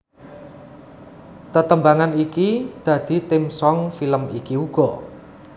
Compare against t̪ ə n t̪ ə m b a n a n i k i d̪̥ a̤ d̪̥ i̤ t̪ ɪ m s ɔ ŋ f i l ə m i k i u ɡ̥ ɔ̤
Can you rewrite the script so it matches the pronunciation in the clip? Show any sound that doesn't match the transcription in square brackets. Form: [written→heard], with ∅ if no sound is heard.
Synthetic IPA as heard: t̪ ə [n→∅] t̪ ə m b a [n→ŋ] a n i k i d̪̥ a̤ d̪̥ i̤ t̪ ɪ m s ɔ ŋ f i l ə m i k i u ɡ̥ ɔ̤

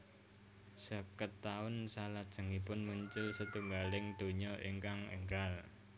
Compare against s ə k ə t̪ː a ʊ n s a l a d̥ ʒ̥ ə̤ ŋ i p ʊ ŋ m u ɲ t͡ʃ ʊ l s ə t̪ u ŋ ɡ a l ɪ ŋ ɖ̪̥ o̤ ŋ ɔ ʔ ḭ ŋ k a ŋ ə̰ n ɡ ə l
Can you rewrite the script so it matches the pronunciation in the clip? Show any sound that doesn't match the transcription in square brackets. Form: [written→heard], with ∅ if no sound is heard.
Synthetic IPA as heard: s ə k ə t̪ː a ʊ n s a l a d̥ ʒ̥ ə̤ ŋ i p ʊ [ŋ→n] m u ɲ t͡ʃ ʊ l s ə t̪ u ŋ ɡ a l ɪ ŋ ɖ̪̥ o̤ [ŋ→ɲ] ɔ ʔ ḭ ŋ k a ŋ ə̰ [n→ŋ] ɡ [ə→a] l

